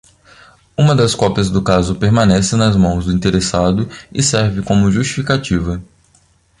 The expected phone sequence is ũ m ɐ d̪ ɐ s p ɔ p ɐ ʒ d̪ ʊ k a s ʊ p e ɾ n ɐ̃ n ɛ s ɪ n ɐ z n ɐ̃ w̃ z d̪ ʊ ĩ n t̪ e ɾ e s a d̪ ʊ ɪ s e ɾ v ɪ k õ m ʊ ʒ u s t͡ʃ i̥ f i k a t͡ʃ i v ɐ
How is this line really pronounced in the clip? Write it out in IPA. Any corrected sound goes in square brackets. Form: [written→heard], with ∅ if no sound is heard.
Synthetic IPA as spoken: ũ m ɐ d̪ ɐ s [p→k] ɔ p ɐ [ʒ→z] d̪ ʊ k a [s→z] ʊ p e ɾ [n→m] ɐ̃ n ɛ s ɪ n ɐ z [n→m] ɐ̃ w̃ z d̪ ʊ ĩ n t̪ e ɾ e s a d̪ ʊ ɪ s [e→ɛ] ɾ v ɪ k õ m ʊ ʒ u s t͡ʃ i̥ f i k a t͡ʃ i v ɐ